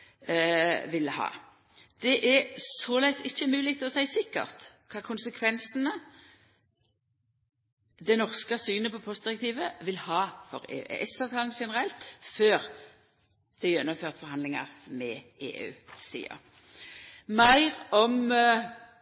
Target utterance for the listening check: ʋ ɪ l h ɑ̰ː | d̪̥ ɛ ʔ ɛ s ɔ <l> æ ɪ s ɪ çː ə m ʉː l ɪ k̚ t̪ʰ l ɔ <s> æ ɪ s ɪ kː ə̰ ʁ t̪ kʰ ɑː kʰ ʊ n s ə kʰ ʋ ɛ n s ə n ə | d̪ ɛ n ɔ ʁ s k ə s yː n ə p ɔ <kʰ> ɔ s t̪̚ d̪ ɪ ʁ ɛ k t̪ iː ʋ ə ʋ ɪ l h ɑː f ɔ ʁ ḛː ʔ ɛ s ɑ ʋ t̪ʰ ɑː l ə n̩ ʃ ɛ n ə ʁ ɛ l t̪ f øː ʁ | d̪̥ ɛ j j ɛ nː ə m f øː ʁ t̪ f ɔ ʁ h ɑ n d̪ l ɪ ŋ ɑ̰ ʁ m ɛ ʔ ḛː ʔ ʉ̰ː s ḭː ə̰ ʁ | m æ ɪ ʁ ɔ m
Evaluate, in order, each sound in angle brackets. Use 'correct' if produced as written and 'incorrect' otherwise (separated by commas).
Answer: correct, correct, incorrect